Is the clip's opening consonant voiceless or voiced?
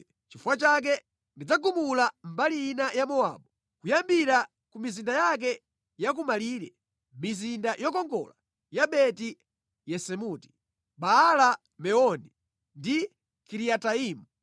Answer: voiceless